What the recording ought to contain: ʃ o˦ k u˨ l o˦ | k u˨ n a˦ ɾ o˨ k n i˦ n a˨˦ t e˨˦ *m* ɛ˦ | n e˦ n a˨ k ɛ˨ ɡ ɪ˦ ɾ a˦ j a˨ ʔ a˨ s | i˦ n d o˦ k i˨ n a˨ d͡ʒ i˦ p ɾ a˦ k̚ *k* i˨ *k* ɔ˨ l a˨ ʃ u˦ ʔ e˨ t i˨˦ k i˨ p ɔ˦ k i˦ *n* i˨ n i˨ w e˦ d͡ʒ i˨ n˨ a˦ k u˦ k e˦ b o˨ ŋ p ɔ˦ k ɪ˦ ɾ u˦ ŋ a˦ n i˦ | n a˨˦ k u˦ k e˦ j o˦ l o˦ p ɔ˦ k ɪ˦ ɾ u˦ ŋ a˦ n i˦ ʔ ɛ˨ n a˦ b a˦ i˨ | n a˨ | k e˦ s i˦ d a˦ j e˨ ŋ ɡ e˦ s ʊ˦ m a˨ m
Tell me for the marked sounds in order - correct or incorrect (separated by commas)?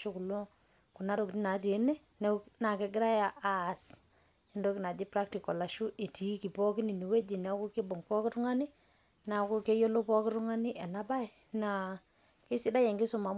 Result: incorrect, incorrect, correct, correct